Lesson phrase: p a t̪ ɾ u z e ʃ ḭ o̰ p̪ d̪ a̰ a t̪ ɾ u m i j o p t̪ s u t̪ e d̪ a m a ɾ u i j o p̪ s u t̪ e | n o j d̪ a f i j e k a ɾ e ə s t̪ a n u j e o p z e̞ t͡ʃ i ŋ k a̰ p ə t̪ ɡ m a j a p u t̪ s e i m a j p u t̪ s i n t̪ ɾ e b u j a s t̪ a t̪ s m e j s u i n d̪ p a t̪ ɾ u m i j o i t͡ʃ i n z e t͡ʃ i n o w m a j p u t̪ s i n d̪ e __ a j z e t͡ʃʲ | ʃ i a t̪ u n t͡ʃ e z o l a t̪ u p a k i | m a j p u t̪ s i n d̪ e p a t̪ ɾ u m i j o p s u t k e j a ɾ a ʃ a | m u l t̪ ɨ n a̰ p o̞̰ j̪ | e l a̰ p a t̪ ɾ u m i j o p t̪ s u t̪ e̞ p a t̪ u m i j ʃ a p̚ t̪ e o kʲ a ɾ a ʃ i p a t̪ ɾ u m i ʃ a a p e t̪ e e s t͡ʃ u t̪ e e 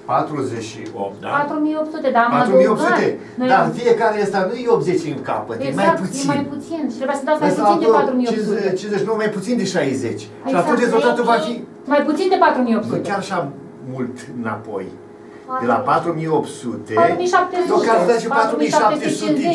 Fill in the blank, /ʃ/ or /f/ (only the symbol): ʃ